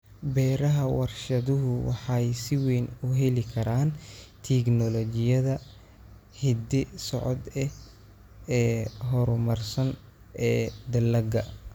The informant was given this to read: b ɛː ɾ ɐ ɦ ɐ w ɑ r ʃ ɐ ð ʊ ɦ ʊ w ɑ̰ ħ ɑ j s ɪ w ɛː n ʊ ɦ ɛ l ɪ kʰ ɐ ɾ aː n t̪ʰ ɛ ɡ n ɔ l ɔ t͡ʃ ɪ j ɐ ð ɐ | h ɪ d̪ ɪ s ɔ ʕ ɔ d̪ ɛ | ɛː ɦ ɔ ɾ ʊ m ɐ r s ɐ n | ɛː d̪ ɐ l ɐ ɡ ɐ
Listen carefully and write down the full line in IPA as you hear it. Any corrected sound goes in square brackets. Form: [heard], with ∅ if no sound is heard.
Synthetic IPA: b ɛː ɾ ɐ ɦ ɐ w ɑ r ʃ ɐ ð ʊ ɦ ʊ w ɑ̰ ħ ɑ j s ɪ w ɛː n ʊ ɦ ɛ l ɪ kʰ ɐ ɾ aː n t̪ʰ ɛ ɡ n ɔ l ɔ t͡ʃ ɪ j ɐ ð ɐ | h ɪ d̪ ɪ s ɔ ʕ ɔ d̪ ɛ | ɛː ɦ ɔ ɾ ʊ m ɐ r s ɐ n | ɛː d̪ ɐ l ɐ ɡ ɐ